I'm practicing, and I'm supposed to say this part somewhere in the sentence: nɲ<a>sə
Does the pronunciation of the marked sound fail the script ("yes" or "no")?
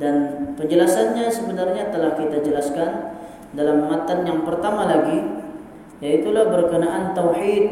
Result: no